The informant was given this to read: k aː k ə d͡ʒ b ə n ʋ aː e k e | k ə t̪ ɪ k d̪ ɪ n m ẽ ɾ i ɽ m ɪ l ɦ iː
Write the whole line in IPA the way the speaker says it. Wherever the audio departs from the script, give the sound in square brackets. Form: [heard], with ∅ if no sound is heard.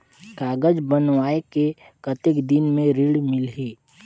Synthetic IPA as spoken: k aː [ɡ] ə d͡ʒ b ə n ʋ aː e k e | k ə t̪ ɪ k d̪ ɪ n m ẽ ɾ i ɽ m ɪ l ɦ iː